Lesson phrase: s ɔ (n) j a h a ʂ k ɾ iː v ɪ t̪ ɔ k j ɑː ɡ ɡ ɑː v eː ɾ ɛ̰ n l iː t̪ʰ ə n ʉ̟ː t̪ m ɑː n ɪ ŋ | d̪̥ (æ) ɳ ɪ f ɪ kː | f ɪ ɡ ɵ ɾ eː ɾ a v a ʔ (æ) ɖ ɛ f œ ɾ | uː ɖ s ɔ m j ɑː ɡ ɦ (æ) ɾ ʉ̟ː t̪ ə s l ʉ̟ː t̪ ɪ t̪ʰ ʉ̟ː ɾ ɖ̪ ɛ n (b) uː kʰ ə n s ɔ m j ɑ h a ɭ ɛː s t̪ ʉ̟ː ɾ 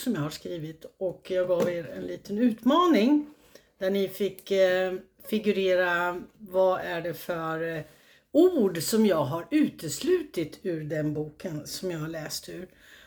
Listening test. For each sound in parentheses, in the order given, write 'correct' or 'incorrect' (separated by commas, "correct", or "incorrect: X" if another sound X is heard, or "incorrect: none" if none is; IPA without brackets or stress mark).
incorrect: m, correct, correct, incorrect: a, correct